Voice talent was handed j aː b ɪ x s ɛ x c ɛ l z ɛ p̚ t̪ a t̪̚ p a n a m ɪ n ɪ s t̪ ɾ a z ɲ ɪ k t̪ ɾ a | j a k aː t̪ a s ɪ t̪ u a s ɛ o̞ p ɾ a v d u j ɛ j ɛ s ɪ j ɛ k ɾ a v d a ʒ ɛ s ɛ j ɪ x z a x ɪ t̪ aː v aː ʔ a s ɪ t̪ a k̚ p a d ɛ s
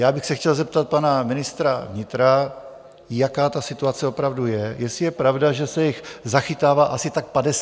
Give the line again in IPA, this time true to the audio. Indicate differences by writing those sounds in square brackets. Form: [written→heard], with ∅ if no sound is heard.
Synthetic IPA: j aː b ɪ x s ɛ x c ɛ l z ɛ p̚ t̪ a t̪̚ p a n a m ɪ n ɪ s t̪ ɾ a [z→v] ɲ ɪ [k→∅] t̪ ɾ a | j a k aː t̪ a s ɪ t̪ u a [s→t͡s] ɛ o̞ p ɾ a v d u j ɛ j ɛ s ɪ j ɛ [k→p] ɾ a v d a ʒ ɛ s ɛ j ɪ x z a x ɪ t̪ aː v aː ʔ a s ɪ t̪ a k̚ p a d ɛ s